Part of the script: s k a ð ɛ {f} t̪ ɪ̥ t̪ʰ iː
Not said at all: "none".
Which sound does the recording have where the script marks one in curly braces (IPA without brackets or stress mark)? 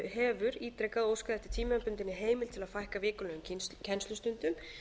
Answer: h